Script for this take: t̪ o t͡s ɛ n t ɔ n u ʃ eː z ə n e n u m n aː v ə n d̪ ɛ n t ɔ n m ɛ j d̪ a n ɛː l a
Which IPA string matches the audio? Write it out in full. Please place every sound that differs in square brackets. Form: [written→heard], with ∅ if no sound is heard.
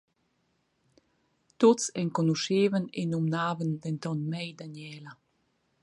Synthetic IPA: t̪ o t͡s ɛ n [t→k] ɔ n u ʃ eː [z→v] ə n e n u m n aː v ə n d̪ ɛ n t ɔ n m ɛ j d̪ a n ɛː l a